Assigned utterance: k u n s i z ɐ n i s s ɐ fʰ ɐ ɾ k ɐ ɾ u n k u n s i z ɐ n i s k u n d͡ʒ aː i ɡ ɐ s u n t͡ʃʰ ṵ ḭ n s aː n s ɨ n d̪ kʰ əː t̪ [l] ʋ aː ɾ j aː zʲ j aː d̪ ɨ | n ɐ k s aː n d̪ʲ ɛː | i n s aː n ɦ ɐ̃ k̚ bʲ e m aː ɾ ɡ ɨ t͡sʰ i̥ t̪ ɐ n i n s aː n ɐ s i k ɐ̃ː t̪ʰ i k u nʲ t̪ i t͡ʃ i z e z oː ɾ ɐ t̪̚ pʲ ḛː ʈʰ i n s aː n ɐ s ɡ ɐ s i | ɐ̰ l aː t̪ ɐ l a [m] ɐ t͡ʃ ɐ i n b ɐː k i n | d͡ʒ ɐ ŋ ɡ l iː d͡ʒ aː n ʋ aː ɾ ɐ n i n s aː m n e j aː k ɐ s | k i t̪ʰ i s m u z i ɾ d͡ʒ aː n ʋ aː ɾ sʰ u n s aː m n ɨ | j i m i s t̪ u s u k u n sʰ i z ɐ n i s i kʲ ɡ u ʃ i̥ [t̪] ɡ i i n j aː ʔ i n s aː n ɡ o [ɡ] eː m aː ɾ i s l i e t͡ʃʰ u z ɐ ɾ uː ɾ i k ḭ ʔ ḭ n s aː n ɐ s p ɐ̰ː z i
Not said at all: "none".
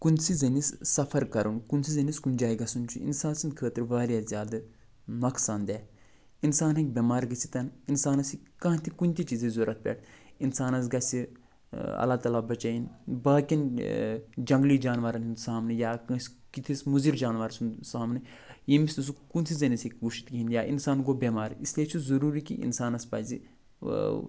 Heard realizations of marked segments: ɾ, b, t̪, b

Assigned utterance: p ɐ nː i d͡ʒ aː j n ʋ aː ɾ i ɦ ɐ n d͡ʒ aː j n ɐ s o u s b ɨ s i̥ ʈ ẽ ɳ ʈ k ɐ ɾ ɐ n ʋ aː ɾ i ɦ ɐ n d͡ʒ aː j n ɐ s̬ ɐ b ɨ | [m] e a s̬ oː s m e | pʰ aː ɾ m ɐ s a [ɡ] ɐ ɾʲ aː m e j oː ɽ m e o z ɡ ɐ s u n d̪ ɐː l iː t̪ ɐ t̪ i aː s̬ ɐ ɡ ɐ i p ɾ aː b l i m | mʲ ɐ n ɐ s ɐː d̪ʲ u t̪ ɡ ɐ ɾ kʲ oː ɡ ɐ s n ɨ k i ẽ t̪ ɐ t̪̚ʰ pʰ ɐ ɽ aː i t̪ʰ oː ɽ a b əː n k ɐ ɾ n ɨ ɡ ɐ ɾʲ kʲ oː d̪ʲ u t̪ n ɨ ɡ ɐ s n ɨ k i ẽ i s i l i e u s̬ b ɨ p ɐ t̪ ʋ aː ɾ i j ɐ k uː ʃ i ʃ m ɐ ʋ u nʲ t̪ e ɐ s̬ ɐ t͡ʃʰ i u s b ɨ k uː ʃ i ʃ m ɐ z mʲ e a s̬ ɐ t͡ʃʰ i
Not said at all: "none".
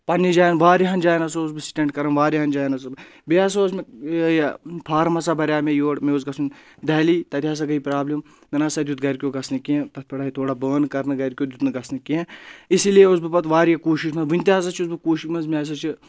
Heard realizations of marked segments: b, b

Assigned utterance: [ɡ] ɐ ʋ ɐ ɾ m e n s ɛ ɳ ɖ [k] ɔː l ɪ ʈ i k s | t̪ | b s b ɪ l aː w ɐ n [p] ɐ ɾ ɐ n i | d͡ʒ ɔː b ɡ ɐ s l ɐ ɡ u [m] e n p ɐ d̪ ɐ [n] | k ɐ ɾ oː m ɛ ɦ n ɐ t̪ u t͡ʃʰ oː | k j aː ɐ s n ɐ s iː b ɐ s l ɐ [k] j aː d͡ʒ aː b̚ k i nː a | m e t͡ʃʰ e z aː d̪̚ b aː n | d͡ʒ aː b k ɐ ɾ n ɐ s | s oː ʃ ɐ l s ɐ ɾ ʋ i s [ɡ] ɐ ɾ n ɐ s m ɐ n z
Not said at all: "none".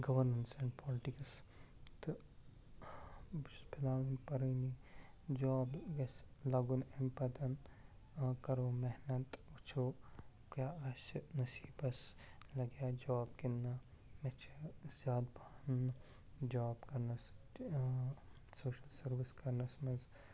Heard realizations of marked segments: ɡ, p, p, n, n, ɡ, k

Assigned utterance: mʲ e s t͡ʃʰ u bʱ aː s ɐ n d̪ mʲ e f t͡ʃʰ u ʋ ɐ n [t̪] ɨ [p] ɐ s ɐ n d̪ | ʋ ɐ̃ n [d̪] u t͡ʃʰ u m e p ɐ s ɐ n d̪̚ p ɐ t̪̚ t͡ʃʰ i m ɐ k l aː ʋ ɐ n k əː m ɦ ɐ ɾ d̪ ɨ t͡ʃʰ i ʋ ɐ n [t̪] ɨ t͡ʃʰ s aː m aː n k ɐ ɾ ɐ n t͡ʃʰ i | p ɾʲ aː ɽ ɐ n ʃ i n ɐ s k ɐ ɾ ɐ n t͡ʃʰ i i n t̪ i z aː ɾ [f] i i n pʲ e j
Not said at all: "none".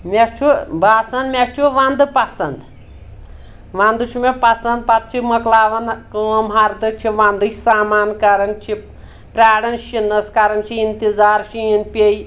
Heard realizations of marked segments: d̪, p, d̪, d̪, ʃ

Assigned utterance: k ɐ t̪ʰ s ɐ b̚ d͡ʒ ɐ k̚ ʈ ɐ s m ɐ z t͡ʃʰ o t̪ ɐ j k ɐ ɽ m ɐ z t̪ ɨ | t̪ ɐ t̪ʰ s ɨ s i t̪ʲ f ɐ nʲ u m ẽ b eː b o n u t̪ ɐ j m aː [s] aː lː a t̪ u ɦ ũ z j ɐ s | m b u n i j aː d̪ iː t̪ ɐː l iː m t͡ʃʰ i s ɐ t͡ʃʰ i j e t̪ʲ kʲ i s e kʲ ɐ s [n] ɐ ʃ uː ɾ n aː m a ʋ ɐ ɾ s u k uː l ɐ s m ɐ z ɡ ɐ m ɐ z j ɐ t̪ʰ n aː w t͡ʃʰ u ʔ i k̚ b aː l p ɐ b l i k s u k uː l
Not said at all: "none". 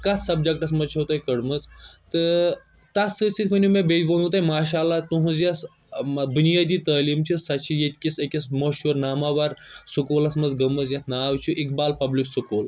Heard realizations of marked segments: ʃ, m

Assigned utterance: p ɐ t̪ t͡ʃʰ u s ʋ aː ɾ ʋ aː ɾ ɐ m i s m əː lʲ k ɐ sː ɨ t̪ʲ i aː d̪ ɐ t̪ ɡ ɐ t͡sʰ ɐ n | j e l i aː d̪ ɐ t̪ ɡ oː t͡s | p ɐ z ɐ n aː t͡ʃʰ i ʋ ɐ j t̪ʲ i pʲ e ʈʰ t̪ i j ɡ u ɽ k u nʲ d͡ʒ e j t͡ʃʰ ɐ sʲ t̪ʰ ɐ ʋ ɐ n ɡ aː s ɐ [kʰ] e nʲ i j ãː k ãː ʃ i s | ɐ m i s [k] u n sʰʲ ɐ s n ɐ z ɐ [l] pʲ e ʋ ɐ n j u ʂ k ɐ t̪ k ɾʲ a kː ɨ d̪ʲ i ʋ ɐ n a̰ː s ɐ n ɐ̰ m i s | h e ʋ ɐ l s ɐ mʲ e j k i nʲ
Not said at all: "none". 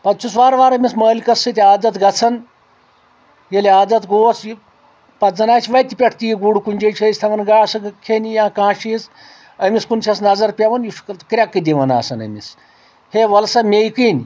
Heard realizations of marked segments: kʰ, k, ɾ

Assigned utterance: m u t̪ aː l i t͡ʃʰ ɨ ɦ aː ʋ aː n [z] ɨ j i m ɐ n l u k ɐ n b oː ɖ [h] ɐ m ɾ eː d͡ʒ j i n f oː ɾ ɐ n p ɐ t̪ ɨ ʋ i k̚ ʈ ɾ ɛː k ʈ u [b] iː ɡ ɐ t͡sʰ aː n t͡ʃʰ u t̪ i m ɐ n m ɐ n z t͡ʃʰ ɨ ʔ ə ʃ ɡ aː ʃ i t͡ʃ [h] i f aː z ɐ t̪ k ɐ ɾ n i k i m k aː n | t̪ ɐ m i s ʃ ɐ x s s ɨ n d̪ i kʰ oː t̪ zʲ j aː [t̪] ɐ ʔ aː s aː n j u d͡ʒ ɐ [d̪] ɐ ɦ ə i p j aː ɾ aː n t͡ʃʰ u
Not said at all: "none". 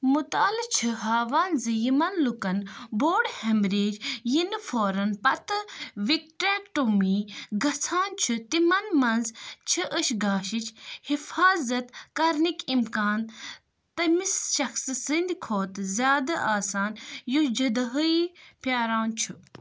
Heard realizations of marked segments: z, h, m, h, d̪, d̪

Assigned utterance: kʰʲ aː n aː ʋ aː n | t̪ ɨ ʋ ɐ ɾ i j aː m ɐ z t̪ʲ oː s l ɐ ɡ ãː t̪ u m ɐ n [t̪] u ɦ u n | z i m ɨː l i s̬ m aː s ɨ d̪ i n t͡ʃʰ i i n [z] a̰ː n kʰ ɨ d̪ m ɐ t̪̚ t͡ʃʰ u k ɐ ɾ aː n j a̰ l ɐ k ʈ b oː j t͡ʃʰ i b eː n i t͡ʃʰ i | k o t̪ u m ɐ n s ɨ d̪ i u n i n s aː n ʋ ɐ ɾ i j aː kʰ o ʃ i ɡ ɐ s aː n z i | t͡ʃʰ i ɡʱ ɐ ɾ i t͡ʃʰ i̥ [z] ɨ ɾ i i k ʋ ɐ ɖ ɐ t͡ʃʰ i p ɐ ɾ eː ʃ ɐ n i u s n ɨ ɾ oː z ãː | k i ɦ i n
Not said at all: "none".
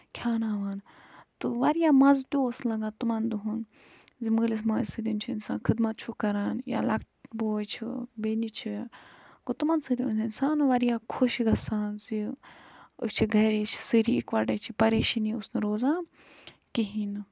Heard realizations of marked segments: d̪, s, s

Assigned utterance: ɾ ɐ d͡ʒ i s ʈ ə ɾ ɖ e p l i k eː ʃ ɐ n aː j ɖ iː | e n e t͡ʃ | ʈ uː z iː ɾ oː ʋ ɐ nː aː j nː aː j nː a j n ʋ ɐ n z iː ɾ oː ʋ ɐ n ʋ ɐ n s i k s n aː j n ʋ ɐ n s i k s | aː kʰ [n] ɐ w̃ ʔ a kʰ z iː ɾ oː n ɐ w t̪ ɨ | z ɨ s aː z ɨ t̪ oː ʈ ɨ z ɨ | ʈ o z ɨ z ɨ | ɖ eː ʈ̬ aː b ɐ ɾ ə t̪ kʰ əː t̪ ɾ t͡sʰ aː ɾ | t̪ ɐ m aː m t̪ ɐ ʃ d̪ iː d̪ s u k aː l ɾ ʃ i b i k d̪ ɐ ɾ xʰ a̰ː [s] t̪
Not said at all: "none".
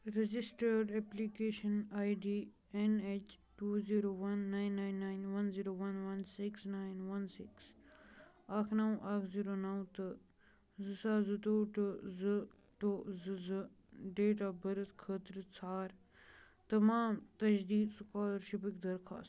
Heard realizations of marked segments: n, s

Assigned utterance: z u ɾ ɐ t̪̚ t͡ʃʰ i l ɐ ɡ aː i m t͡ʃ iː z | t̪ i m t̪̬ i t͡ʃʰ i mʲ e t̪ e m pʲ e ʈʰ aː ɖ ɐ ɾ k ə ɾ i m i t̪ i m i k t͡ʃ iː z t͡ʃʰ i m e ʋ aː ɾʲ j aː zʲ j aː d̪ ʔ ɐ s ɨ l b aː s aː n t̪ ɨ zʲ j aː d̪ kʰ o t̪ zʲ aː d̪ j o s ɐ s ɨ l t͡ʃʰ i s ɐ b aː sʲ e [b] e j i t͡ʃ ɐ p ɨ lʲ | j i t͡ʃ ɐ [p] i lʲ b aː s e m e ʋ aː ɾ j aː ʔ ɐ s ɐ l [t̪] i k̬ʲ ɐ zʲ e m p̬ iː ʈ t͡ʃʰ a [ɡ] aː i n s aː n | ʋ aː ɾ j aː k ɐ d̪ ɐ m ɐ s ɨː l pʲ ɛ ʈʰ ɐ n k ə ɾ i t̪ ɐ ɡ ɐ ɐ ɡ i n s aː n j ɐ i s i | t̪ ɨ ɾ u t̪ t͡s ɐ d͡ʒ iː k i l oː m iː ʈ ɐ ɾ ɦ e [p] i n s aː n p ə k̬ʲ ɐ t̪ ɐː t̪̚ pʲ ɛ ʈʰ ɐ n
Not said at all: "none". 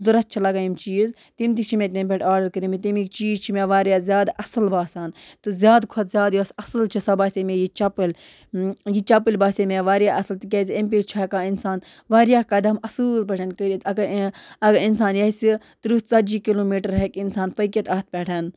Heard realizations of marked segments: m, p, t̪, k, k

